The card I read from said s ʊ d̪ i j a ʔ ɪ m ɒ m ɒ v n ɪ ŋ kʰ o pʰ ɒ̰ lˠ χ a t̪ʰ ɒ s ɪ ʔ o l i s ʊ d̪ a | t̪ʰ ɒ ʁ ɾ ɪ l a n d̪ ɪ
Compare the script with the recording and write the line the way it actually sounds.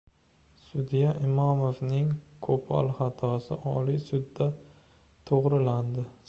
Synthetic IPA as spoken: s ʊ d̪ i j a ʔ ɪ m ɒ m o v n ɪ ŋ kʰ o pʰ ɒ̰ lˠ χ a t̪ʰ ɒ s ɪ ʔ ɒ l i s ʊ d̪ː a | t̪ʰ o ʁ ɾ ɪ l a n d̪ ɪ